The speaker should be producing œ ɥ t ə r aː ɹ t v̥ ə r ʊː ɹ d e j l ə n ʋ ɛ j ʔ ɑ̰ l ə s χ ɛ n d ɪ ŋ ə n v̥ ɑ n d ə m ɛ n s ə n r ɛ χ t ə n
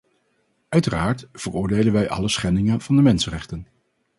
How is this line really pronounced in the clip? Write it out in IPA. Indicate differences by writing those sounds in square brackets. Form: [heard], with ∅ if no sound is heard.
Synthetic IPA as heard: œ ɥ t ə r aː ɹ t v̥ ə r ʊː ɹ d e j l ə n ʋ ɛ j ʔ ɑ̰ l ə s χ ɛ n d ɪ ŋ ə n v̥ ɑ n d ə m ɛ n s ə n r ɛ χ t ə n

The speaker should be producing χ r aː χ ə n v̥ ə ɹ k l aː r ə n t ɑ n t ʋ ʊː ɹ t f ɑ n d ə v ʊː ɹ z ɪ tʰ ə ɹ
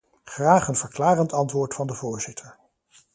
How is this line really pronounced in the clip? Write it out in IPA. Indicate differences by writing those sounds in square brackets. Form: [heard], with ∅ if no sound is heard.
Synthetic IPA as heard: χ r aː χ ə n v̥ ə ɹ k l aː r ə n t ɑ n t ʋ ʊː ɹ t f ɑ n d ə v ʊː ɹ z ɪ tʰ ə ɹ

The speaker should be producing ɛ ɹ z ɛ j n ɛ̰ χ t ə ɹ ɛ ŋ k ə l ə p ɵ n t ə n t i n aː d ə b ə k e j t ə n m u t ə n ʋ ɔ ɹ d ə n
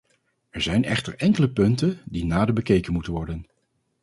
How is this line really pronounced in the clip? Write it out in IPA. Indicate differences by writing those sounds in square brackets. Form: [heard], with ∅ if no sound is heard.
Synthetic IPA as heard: ɛ ɹ z ɛ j n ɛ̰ χ t ə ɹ ɛ ŋ k ə l ə p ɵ n t ə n [d] i n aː d ə b ə k e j [k] ə n m u t ə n ʋ ɔ ɹ d ə n

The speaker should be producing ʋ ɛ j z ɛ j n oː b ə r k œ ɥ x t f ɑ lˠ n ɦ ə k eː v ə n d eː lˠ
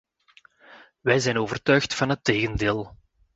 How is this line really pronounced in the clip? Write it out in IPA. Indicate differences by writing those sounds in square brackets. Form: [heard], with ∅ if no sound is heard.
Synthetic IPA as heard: ʋ ɛ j z ɛ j n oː [v] ə r [t] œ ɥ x t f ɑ [∅] n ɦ ə [t] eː [ɣ] ə n d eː lˠ

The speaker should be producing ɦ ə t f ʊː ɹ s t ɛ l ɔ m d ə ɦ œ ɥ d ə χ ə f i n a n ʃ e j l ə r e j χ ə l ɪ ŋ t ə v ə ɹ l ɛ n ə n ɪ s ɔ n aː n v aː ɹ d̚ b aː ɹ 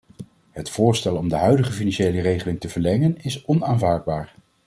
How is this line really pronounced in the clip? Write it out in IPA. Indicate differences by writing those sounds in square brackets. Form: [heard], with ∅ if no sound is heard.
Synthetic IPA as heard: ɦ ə t f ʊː ɹ s t ɛ l ɔ m d ə ɦ œ ɥ d ə χ ə f i n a n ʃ e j l ə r e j χ ə l ɪ ŋ t ə v ə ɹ l ɛ [ŋ] ə n ɪ s ɔ n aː n v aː ɹ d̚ b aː ɹ

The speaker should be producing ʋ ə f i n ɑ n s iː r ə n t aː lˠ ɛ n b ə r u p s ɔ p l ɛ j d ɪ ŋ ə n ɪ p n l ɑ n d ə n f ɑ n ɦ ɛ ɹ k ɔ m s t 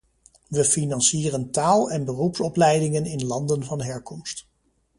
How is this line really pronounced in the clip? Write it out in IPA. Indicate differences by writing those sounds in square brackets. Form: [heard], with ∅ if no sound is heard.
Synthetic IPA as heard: ʋ ə f i n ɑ n s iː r ə n t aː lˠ ɛ n b ə r u p s ɔ p l ɛ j d ɪ ŋ ə n ɪ [∅] n l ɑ n d ə n [v] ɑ n ɦ ɛ ɹ k ɔ m s t

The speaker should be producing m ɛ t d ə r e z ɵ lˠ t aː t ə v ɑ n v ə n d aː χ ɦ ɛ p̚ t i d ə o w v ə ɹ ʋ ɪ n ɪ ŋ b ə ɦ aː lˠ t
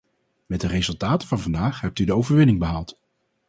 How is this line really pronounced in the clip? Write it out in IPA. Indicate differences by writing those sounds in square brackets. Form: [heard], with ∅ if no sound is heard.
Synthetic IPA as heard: m ɛ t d ə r e z ɵ lˠ t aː t ə v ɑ n v [ɑ] n d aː χ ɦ ɛ p̚ t [y] d ə o w v ə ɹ ʋ ɪ n ɪ ŋ b ə ɦ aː lˠ t

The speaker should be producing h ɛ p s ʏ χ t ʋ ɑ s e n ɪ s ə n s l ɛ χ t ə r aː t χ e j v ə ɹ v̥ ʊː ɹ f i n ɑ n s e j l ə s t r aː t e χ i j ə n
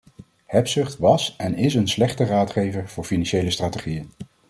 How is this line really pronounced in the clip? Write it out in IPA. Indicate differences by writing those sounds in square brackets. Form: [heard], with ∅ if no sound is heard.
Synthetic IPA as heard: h ɛ p s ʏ χ t ʋ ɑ s [ɛ] n ɪ s ə n s l ɛ χ t ə r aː t χ e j v ə ɹ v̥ ʊː ɹ f i n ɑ n [ʃ] e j l ə s t r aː t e χ i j ə n

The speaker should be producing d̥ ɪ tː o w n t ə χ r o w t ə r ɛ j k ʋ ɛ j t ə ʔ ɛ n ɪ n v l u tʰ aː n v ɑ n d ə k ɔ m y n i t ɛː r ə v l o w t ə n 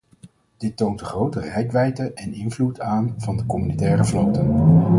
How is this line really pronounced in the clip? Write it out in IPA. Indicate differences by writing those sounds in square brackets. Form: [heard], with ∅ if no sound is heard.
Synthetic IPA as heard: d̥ ɪ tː o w n t ə χ r o w t ə r ɛ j k ʋ ɛ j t ə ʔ ɛ n ɪ n v l u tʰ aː n v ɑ n d ə k ɔ m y n i t ɛː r ə v l o w t ə n

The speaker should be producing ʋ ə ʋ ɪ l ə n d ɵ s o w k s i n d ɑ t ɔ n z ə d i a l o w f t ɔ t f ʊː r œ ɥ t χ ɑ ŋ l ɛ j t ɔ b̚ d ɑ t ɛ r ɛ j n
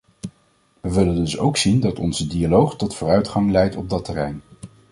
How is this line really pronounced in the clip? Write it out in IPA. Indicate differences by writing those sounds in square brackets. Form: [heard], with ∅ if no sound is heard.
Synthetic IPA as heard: ʋ ə ʋ ɪ l ə n d ɵ s o w k s i n d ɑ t ɔ n z ə d i a l o w [χ] t ɔ t f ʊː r œ ɥ t χ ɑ ŋ l ɛ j t ɔ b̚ d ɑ t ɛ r ɛ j n

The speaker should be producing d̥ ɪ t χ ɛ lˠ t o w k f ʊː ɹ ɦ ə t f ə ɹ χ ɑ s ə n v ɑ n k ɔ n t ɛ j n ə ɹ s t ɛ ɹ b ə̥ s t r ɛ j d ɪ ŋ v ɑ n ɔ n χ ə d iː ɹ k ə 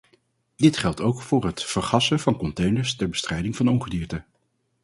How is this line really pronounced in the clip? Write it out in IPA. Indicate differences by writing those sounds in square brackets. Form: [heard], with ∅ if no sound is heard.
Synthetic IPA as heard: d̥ ɪ t χ ɛ lˠ t o w k f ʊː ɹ ɦ ə t f ə ɹ χ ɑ s ə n v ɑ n k ɔ n t [e] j n ə ɹ s t ɛ ɹ b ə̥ s t r ɛ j d ɪ ŋ v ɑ n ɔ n χ ə d iː ɹ [t] ə

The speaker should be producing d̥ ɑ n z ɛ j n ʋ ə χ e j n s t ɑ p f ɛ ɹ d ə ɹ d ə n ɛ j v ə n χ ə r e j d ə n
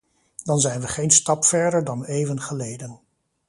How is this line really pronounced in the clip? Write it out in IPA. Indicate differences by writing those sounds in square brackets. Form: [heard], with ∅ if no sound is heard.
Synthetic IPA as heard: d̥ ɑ n z ɛ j n ʋ ə χ e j n s t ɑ p f ɛ ɹ d ə ɹ d [ɑ] n [e] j v ə n χ ə [l] e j d ə n

